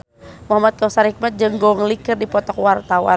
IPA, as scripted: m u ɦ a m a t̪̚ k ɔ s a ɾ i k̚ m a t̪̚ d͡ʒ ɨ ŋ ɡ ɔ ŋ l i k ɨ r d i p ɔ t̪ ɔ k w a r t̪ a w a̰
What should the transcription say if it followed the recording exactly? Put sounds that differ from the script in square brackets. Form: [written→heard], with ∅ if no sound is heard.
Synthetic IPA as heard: m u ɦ a m a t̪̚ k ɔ s a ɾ i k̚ m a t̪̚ d͡ʒ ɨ ŋ ɡ ɔ ŋ l i k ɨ r d i p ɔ t̪ ɔ k w a r t̪ a w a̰